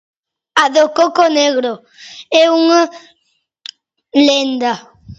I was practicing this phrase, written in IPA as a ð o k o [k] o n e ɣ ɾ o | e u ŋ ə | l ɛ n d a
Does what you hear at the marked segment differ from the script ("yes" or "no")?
no